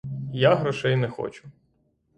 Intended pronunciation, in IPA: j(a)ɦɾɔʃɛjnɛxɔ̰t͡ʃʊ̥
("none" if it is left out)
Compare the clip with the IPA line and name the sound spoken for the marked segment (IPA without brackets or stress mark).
a